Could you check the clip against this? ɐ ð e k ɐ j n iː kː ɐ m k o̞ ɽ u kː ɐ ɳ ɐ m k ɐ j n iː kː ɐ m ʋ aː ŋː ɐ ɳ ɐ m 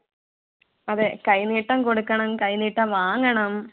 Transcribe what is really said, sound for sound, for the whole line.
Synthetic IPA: ɐ ð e k ɐ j n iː ʈː ɐ m k o̞ ɽ u kː ɐ ɳ ɐ m k ɐ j n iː ʈː ɐ m ʋ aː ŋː ɐ ɳ ɐ m